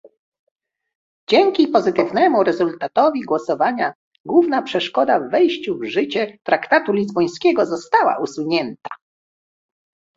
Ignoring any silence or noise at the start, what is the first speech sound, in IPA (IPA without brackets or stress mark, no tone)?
d͡ʑ